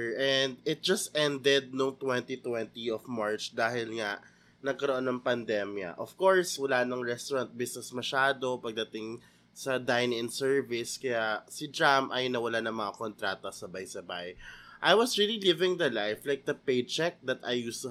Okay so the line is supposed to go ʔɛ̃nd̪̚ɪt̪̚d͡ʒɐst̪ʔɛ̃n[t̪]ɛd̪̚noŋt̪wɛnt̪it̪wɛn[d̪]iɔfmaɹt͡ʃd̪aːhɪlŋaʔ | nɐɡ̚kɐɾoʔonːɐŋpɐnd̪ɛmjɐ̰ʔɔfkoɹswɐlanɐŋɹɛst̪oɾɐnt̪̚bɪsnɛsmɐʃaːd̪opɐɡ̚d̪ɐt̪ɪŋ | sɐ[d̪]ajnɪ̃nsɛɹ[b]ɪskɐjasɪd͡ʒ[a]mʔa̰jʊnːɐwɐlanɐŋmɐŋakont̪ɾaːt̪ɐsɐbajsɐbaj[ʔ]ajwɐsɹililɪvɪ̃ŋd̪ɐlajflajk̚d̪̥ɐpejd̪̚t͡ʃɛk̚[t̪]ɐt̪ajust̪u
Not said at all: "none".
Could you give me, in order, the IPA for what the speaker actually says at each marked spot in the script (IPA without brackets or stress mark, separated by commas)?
d̪, t̪, d̪, v, a, ʔ, d̪